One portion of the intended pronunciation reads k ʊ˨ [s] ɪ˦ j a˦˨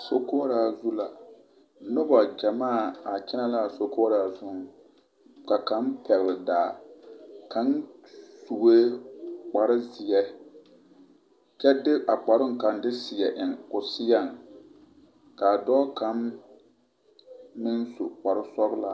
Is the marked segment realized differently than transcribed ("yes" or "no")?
no